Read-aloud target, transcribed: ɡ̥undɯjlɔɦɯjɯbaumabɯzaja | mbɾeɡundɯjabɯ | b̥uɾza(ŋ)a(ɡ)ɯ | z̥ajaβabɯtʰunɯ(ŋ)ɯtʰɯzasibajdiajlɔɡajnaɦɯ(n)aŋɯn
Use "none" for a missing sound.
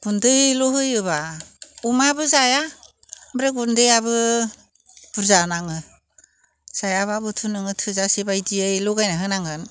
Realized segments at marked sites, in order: n, ŋ, ŋ, n

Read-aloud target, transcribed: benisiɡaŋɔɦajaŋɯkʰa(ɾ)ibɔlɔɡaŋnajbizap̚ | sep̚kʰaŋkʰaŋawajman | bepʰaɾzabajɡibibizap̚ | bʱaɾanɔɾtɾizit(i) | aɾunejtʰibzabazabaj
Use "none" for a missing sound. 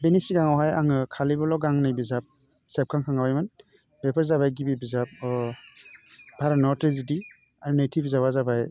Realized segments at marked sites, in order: l, i

